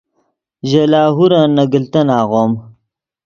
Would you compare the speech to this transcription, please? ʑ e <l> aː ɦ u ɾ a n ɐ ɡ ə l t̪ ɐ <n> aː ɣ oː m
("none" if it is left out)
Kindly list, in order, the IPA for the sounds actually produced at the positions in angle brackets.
l, n

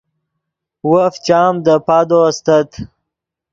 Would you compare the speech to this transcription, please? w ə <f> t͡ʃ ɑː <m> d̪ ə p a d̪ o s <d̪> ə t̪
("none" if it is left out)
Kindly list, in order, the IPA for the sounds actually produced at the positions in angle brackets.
f, m, t̪

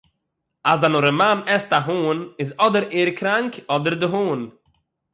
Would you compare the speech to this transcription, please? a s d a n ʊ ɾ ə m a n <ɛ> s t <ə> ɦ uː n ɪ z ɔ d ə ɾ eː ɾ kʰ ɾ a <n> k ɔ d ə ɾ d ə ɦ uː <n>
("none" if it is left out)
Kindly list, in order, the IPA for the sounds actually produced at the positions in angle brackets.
ɛ, a, ŋ, n

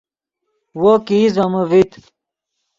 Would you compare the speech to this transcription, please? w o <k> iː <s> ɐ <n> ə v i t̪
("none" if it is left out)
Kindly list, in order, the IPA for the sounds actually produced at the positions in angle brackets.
k, z, m

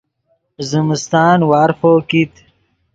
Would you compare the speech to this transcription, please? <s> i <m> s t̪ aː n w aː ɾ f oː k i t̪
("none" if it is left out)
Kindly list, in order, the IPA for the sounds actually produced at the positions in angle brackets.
z, m

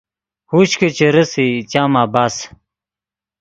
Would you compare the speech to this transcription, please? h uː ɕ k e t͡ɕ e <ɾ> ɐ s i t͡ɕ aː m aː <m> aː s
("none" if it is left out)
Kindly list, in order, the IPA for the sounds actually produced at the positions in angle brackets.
ɾ, b

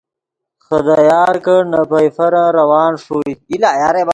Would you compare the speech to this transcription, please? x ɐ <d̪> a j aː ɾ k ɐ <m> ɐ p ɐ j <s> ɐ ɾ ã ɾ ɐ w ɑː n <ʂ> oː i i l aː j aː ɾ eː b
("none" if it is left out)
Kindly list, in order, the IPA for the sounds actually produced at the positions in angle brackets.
d̪, n, f, ʂ

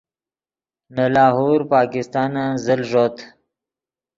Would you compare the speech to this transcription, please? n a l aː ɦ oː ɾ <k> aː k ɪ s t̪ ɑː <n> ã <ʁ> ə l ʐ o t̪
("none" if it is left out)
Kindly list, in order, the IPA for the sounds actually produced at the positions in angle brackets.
p, n, z

